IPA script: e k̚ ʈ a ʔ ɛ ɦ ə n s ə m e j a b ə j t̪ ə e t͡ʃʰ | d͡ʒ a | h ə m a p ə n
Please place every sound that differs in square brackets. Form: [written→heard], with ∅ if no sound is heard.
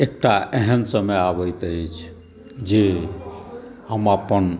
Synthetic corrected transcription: e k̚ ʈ a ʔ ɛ ɦ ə n s ə m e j a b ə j t̪ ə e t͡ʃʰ | d͡ʒ [a→e] | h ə m a p ə n